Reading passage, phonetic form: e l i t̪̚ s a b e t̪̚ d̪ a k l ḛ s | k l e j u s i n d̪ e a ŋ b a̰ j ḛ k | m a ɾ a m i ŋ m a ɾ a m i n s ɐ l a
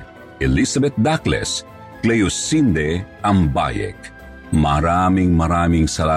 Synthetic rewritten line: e l i s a b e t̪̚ d̪ a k l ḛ s | k l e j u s i n d̪ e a m b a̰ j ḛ k | m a ɾ a m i ŋ m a ɾ a m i ŋ s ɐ l a